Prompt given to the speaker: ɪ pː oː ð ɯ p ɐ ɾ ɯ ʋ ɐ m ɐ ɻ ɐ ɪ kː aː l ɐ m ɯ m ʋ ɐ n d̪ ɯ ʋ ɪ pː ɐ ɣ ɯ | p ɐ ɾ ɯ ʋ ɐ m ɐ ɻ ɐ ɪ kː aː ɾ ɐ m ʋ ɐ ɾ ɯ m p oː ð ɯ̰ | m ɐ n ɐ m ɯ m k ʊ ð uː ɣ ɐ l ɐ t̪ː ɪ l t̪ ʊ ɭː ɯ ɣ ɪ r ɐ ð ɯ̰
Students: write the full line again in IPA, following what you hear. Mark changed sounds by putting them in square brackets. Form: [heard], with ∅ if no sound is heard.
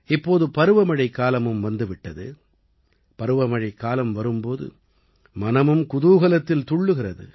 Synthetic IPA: ɪ pː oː ð ɯ p ɐ ɾ ɯ ʋ ɐ m ɐ ɻ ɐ ɪ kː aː l ɐ m ɯ m ʋ ɐ n d̪ ɯ ʋ ɪ [ʈː] ɐ [ð] ɯ | p ɐ ɾ ɯ ʋ ɐ m ɐ ɻ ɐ ɪ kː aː [l] ɐ m ʋ ɐ ɾ ɯ m p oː ð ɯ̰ | m ɐ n ɐ m ɯ m k ʊ ð uː ɣ ɐ l ɐ t̪ː ɪ l t̪ ʊ ɭː ɯ ɣ ɪ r ɐ ð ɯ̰